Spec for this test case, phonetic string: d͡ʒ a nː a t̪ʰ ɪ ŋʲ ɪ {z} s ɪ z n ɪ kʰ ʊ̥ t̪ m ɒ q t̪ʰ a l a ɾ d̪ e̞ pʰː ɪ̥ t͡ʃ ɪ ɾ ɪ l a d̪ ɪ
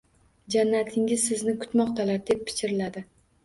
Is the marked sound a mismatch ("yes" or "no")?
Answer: no